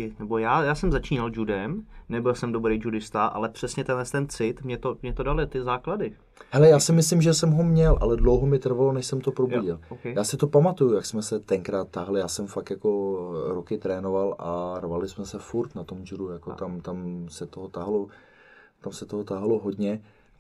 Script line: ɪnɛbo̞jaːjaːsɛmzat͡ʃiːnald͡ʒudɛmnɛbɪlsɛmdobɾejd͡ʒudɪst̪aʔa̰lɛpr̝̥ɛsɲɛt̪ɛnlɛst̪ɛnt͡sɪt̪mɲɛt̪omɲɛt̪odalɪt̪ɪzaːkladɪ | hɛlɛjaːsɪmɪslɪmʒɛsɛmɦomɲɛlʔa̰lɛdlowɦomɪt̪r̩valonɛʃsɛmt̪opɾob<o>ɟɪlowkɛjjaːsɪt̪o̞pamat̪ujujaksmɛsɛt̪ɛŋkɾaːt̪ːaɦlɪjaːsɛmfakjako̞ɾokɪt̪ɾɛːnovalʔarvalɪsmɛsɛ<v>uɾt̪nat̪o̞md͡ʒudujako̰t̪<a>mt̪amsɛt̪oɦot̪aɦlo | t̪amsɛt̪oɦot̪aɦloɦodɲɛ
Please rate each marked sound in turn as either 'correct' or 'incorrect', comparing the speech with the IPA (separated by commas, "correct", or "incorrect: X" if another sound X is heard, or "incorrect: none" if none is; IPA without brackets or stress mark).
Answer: incorrect: u, incorrect: f, correct